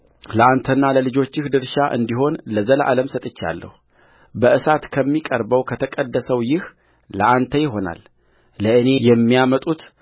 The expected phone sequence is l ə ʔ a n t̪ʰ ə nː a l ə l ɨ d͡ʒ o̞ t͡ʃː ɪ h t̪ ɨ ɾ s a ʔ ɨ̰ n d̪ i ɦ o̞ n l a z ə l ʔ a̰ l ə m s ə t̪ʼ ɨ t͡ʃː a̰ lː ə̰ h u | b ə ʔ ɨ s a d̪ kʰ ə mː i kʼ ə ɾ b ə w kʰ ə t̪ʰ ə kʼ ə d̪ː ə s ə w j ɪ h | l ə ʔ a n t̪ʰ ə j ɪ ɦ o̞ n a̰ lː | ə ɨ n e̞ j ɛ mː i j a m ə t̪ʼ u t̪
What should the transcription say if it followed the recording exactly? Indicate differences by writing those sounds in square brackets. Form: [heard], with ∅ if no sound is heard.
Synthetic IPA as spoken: l ə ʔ a n t̪ʰ ə nː a l ə l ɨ d͡ʒ o̞ t͡ʃː ɪ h [d̪] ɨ ɾ [ʃ] a ʔ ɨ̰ n d̪ i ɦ o̞ n l [ə] z ə l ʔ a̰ l ə m s ə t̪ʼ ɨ t͡ʃː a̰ lː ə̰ h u | b ə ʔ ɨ s a [t̪] kʰ ə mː i kʼ ə ɾ b ə w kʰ ə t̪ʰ ə kʼ ə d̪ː ə s ə w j ɪ h | l ə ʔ a n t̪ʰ ə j ɪ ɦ o̞ n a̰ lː | ə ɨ n e̞ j ɛ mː i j a m ə t̪ʼ u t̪

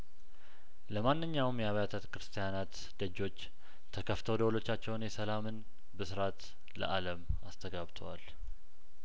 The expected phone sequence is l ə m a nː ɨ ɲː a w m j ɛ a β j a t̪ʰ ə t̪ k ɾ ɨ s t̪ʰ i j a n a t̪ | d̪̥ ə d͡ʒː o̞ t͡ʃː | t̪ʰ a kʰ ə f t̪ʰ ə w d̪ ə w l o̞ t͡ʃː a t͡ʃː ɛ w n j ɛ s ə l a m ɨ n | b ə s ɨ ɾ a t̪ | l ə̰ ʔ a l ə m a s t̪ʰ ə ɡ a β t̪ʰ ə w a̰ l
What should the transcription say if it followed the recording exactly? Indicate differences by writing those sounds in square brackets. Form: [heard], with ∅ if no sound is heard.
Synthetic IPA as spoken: l ə m a nː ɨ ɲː a w m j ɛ a β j a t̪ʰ ə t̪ k ɾ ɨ s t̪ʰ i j a n a t̪ | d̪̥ ə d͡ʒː o̞ t͡ʃː | t̪ʰ [ə] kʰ ə f t̪ʰ ə w d̪ ə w l o̞ t͡ʃː a t͡ʃː ɛ w n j ɛ s ə l a m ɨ n | b ə s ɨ ɾ a t̪ | l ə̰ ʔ a l ə m a s t̪ʰ ə ɡ a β t̪ʰ ə w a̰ l

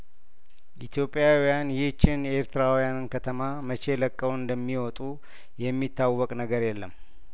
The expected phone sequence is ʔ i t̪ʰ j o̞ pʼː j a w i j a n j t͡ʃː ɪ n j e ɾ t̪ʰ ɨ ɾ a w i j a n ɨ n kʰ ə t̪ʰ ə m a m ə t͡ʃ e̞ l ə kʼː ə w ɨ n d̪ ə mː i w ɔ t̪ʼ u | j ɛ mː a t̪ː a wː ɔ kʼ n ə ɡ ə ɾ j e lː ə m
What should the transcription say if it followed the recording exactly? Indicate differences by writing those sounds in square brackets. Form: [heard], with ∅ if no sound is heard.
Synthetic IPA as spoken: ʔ i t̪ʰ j o̞ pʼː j a w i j a n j t͡ʃː ɪ n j e ɾ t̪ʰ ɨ ɾ a w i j a n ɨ n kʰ ə t̪ʰ ə m a m ə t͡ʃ e̞ l ə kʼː ə w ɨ n d̪ ə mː i w ɔ t̪ʼ u | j ɛ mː [i] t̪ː a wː ɔ kʼ n ə ɡ ə ɾ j [ɛ] lː ə m

